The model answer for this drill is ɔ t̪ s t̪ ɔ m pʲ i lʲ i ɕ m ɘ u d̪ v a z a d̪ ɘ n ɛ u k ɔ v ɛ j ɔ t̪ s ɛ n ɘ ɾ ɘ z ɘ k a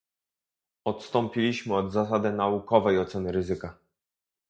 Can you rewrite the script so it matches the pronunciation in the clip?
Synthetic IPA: ɔ t̪ s t̪ ɔ m pʲ i lʲ i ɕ m ɘ ɔ d̪ z a s a d̪ ɘ n a u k ɔ v ɛ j ɔ t̪ s ɛ n ɘ ɾ ɘ z ɘ k a